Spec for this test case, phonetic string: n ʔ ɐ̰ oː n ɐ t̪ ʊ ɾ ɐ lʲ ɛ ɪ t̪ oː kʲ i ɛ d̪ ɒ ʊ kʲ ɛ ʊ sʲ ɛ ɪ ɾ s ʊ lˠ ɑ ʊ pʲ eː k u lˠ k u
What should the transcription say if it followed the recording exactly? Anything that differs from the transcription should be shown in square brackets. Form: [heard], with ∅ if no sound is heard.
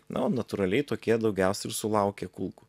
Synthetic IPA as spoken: n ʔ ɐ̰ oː n ɐ t̪ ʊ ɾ ɐ lʲ ɛ ɪ t̪ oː kʲ i ɛ d̪ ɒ ʊ [ɡʲ] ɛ ʊ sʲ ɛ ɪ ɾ s ʊ lˠ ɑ ʊ [kʲ] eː k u lˠ k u